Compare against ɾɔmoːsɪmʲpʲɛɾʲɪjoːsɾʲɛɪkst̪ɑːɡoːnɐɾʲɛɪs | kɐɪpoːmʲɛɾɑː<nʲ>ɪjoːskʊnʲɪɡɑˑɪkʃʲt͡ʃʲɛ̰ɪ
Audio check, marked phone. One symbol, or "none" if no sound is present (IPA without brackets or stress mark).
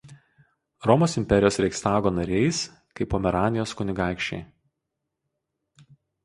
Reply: nʲ